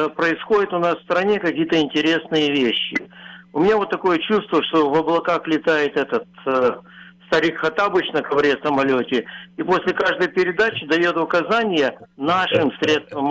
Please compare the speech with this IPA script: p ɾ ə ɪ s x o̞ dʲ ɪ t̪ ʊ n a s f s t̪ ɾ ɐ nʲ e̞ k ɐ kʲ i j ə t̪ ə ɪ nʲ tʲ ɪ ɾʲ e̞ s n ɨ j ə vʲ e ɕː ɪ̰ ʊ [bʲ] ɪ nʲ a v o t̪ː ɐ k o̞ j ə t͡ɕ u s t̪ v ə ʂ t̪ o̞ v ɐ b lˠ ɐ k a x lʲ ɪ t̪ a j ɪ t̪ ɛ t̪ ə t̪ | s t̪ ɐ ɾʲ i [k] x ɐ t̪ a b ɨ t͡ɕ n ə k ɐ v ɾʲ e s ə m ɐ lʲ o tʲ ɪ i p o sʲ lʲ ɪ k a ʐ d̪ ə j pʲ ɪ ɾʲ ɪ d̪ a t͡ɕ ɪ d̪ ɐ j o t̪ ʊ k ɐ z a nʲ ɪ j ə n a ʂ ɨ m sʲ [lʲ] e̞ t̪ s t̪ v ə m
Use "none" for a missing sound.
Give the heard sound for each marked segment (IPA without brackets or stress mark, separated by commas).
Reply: mʲ, k, ɾʲ